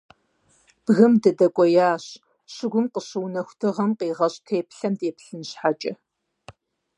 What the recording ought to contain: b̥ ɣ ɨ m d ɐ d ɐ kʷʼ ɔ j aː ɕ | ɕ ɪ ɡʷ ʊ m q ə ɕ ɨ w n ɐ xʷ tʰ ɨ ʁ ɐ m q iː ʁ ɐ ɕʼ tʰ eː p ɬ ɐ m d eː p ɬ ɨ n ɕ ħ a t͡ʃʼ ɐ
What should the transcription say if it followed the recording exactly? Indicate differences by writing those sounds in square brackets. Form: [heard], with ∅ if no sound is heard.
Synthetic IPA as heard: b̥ ɣ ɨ m d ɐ d ɐ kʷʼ ɔ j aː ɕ | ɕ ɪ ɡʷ ʊ m q ə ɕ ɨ w n ɐ xʷ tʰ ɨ ʁ ɐ m q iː ʁ ɐ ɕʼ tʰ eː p ɬ ɐ m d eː p ɬ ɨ n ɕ ħ a t͡ʃʼ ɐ